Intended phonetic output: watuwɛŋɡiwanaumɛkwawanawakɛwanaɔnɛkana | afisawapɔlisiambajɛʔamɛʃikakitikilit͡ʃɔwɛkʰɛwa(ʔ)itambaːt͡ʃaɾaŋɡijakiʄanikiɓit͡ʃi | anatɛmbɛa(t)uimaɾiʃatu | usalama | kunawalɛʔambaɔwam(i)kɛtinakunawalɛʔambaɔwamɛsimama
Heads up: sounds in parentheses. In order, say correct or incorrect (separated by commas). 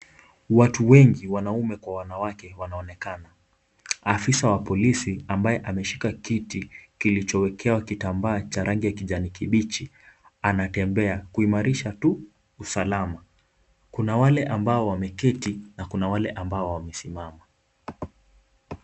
incorrect, incorrect, incorrect